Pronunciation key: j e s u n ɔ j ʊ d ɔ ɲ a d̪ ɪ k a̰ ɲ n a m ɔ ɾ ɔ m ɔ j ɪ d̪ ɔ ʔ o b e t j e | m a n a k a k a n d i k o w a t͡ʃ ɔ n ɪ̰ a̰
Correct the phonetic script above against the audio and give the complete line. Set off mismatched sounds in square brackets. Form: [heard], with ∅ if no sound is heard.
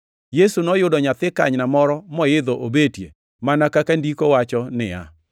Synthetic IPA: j e s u n ɔ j ʊ d ɔ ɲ a [t̪] ɪ k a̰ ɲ n a m ɔ ɾ ɔ m ɔ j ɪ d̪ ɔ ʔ o b e t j e | m a n a k a k a n d i k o w a t͡ʃ ɔ n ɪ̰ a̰